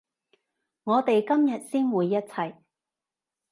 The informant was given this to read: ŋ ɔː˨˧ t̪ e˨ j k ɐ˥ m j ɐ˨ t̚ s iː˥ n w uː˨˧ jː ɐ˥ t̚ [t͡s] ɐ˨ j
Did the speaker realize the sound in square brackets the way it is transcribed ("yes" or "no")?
no